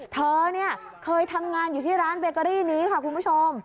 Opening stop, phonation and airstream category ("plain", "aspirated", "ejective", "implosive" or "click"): aspirated